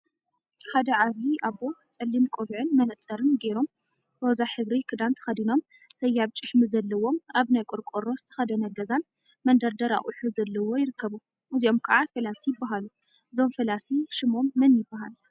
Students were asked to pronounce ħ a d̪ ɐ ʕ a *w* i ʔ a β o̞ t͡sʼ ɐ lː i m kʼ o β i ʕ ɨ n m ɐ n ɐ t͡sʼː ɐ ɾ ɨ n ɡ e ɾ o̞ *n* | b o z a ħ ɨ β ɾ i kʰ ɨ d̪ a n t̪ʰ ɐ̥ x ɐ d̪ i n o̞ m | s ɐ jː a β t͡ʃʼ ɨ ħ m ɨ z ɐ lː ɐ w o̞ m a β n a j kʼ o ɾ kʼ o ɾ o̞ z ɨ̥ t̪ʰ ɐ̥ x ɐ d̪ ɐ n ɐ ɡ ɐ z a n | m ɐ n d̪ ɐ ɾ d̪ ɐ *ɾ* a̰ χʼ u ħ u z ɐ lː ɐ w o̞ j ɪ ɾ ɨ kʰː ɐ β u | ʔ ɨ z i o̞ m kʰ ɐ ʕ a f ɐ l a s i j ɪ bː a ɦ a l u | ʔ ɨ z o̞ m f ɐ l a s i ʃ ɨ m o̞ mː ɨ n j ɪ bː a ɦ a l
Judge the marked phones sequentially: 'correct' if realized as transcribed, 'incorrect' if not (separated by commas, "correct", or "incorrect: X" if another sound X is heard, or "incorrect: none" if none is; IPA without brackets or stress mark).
incorrect: β, incorrect: m, correct